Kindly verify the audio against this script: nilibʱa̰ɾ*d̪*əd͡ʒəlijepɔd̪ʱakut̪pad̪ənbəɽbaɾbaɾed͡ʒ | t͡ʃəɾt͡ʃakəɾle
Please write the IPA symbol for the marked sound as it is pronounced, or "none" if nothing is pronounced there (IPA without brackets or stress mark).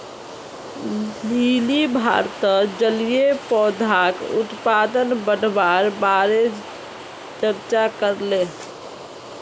t̪